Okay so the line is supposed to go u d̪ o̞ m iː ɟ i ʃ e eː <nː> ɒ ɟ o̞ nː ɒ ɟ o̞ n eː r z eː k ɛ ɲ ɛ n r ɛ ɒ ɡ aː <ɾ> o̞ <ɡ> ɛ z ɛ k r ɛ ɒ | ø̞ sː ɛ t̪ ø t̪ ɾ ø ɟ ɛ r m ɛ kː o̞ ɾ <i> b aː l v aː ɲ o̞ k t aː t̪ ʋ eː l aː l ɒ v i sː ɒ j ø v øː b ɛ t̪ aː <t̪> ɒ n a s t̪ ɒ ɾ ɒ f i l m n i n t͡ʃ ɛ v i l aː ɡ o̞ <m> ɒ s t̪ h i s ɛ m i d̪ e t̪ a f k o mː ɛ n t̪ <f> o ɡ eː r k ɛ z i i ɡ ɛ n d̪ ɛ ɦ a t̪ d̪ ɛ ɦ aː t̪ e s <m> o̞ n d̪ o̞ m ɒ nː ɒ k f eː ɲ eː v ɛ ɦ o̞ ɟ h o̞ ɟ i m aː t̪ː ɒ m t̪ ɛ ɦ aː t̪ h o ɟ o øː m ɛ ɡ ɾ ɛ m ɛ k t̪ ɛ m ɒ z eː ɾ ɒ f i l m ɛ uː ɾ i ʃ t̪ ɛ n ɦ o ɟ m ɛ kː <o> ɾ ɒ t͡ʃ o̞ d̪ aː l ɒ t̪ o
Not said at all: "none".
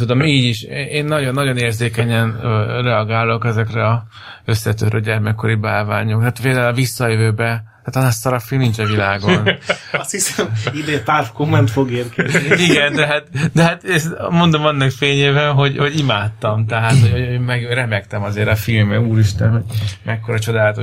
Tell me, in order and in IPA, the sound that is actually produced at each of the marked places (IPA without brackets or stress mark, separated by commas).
nː, l, k, i, t̪, n, f, m, o